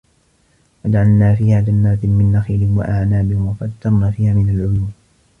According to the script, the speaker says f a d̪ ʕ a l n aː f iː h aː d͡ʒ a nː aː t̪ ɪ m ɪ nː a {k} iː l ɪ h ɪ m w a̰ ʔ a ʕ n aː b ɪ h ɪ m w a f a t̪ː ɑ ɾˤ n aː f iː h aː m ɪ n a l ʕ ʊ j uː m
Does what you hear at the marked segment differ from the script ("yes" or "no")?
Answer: yes